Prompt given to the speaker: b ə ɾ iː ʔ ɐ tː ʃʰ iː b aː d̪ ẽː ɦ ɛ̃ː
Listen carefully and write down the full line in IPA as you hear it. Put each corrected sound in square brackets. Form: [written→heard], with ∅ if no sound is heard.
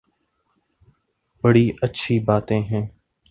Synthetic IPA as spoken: b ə [ɾ→ɽ] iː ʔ [ɐ→ə] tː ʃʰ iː b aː [d̪→t̪] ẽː ɦ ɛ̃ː